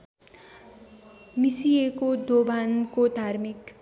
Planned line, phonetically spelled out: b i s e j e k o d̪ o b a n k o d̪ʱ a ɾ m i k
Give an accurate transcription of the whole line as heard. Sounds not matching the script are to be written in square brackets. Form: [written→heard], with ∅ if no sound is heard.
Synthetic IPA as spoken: [b→m] i s [e→i] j e k o d̪ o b a n k o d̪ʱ a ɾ m i k